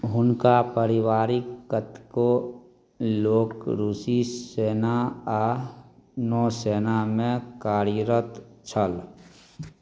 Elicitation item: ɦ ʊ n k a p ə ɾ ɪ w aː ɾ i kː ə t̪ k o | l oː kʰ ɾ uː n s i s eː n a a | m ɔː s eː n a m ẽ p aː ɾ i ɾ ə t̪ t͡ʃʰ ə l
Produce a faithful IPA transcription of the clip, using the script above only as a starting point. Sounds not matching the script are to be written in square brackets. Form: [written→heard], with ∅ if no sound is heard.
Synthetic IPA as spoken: ɦ ʊ n k a p ə ɾ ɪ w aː ɾ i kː ə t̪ k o | l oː [kʰ→k] ɾ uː [n→∅] s i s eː n a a | [m→n] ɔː s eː n a m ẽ [p→k] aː ɾ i ɾ ə t̪ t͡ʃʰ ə l

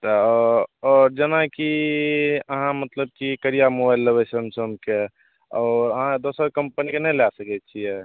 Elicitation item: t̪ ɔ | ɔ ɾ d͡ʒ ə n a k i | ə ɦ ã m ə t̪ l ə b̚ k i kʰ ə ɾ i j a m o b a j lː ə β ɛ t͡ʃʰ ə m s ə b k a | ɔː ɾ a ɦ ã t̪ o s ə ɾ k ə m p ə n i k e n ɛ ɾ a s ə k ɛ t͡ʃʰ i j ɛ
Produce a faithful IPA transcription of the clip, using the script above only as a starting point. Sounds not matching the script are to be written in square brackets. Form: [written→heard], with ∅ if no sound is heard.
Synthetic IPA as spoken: t̪ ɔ | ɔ ɾ d͡ʒ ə n a k i | ə ɦ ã m ə t̪ l ə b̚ k i [kʰ→k] ə ɾ i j a m o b a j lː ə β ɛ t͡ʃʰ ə m s ə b k [a→e] | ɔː ɾ [a→ə] ɦ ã [t̪→d̪] o s ə ɾ k ə m p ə n i k e n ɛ [ɾ→l] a s ə k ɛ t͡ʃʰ i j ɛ

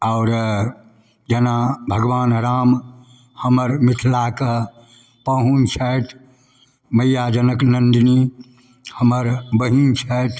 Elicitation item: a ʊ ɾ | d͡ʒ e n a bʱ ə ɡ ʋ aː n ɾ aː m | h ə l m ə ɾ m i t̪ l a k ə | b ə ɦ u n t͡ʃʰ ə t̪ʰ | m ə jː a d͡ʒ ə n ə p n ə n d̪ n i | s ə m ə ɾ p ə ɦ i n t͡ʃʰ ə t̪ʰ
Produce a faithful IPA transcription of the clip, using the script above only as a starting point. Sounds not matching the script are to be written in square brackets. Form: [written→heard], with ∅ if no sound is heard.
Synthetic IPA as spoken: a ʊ ɾ | d͡ʒ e n a bʱ ə ɡ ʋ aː n ɾ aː m | h ə [l→∅] m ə ɾ m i [t̪→t̪ʰ] l a k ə | [b→p] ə ɦ u n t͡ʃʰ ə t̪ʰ | m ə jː a d͡ʒ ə n ə [p→k] n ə n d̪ n i | [s→h] ə m ə ɾ [p→b] ə ɦ i n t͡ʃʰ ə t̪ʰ

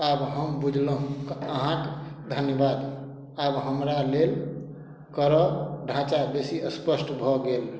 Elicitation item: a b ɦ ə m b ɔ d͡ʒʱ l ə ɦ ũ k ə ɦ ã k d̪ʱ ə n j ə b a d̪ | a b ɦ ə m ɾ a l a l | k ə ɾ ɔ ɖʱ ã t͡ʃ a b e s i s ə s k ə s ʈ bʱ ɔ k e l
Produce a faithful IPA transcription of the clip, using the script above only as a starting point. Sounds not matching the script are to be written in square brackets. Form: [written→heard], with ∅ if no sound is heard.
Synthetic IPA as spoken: a b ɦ ə m b [ɔ→u] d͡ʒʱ l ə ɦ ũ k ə ɦ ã k d̪ʱ ə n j ə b a d̪ | a b ɦ ə m ɾ a l [a→e] l | k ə ɾ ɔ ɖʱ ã t͡ʃ a b e s i [s→∅] ə s [k→p] ə s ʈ bʱ ɔ [k→ɡ] e l

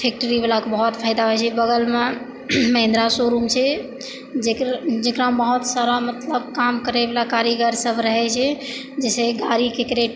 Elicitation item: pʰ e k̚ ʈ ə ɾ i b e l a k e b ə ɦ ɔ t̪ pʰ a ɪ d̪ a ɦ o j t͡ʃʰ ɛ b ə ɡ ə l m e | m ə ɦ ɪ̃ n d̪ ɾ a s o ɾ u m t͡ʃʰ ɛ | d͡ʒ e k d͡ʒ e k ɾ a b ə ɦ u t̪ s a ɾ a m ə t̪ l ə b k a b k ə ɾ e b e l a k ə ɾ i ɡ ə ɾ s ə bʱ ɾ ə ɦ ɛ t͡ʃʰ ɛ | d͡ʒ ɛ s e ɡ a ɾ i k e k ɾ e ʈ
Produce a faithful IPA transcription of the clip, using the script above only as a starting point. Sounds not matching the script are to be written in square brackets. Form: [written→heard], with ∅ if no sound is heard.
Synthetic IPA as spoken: pʰ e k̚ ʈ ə ɾ i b e l a k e b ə ɦ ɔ t̪ pʰ a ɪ d̪ a ɦ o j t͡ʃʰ ɛ b ə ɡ ə l m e | m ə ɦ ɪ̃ n d̪ ɾ a s o ɾ u m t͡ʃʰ ɛ | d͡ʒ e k d͡ʒ e k ɾ a b ə ɦ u t̪ s a ɾ a m ə t̪ l ə b k a [b→m] k ə ɾ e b e l a k [ə→a] ɾ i ɡ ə ɾ s ə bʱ ɾ ə ɦ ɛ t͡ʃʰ ɛ | d͡ʒ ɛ s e ɡ a ɾ i k e k ɾ e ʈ

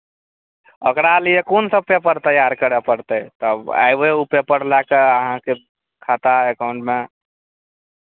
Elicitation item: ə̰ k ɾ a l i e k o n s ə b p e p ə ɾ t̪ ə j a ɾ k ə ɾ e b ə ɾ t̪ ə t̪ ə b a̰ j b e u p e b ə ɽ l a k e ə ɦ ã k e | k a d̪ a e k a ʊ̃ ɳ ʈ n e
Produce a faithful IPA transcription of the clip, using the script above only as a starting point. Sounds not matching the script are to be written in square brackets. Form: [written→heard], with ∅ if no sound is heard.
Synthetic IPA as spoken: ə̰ k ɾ a l i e k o n s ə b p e p ə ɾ t̪ ə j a ɾ k ə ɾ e [b→p] ə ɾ t̪ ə t̪ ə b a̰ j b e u p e [b→p] ə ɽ l a k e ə ɦ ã k e | [k→kʰ] a [d̪→t̪] a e k a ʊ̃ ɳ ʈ [n→m] e

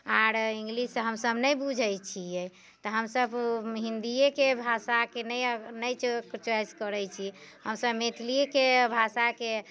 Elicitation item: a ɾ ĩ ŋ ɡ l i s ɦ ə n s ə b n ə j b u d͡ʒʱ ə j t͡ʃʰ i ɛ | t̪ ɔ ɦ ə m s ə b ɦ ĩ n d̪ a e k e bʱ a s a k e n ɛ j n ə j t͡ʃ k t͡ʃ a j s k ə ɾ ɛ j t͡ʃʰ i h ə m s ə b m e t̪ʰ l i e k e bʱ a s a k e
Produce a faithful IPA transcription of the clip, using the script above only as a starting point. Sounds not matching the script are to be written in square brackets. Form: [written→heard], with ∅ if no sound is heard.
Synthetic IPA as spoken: a ɾ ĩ ŋ ɡ l i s ɦ ə [n→m] s ə b n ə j b u d͡ʒʱ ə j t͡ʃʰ i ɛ | t̪ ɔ ɦ ə m s ə b ɦ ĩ n d̪ [a→i] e k e bʱ a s a k e n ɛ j n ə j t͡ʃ k t͡ʃ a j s k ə ɾ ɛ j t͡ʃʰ i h ə m s ə b m e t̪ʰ l i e k e bʱ a s a k e

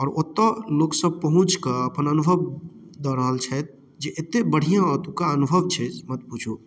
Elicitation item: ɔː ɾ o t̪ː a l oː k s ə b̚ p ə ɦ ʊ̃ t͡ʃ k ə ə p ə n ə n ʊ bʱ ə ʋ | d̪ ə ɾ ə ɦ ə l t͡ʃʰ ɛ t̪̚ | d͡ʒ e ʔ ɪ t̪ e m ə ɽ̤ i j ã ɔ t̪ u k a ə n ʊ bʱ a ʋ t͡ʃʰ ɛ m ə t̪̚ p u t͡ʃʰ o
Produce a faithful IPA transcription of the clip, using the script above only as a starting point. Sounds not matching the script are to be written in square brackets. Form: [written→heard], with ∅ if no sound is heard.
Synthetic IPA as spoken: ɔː ɾ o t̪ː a l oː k s ə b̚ p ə ɦ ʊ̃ t͡ʃ k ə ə p ə n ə n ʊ bʱ ə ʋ | d̪ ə ɾ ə ɦ ə l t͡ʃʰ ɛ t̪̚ | d͡ʒ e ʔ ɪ t̪ e [m→b] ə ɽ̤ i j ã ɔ t̪ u k a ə n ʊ bʱ [a→ə] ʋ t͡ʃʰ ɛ m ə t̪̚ p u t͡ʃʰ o

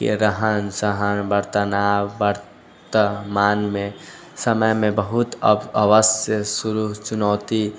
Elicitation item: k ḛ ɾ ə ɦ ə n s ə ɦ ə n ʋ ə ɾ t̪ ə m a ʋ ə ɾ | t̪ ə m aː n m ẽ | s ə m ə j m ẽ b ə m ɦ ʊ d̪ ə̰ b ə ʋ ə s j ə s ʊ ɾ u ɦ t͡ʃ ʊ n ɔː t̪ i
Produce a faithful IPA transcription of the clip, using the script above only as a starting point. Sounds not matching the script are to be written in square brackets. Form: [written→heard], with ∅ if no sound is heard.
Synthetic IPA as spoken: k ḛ ɾ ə ɦ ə n s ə ɦ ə n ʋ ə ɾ t̪ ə [m→n] a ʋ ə ɾ | t̪ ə m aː n m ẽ | s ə m ə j m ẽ b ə [m→∅] ɦ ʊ [d̪→t̪] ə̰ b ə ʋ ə s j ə s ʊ ɾ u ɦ t͡ʃ ʊ n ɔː t̪ i

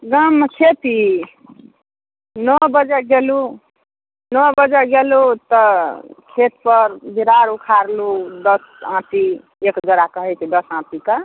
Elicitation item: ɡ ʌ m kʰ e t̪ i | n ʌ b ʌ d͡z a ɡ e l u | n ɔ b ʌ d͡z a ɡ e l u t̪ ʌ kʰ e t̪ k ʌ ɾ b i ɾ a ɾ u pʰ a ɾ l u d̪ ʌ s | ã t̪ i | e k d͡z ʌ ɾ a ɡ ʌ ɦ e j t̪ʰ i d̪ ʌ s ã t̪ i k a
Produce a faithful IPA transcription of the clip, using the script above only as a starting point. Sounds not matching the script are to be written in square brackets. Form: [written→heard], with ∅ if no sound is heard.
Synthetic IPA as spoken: ɡ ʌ m kʰ e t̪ i | n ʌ b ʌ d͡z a ɡ e l u | n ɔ b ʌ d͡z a ɡ e l u t̪ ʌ kʰ e t̪ [k→p] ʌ ɾ b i ɾ a ɾ u [pʰ→kʰ] a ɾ l u d̪ ʌ s | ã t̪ i | e k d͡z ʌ ɾ a [ɡ→k] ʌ ɦ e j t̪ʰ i d̪ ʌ s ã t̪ i k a

